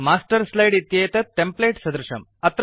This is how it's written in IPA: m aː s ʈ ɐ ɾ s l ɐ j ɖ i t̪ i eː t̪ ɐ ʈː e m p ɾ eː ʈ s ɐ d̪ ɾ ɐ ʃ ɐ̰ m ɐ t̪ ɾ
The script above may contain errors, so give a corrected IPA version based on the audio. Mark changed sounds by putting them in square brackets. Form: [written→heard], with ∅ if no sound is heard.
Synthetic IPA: m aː s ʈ ɐ ɾ s l ɐ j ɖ i t̪ [i→j] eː t̪ ɐ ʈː e m p [ɾ→l] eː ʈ s ɐ d̪ ɾ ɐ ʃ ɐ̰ m ɐ t̪ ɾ

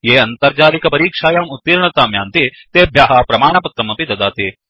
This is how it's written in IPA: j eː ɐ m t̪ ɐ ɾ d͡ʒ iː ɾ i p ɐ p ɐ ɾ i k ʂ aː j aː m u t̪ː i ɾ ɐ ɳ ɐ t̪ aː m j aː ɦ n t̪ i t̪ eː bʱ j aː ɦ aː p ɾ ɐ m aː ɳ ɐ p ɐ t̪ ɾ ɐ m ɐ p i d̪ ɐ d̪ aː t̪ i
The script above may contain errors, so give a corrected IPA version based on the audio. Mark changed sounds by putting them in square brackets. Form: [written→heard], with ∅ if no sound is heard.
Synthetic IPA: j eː ɐ [m→n] t̪ ɐ ɾ d͡ʒ [iː→aː] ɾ i [p→k] ɐ p ɐ ɾ [i→iː] k ʂ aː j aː m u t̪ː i ɾ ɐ ɳ ɐ t̪ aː m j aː [ɦ→∅] n t̪ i t̪ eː bʱ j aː ɦ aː p ɾ ɐ m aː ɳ ɐ p ɐ t̪ ɾ ɐ m ɐ p i d̪ ɐ d̪ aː t̪ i

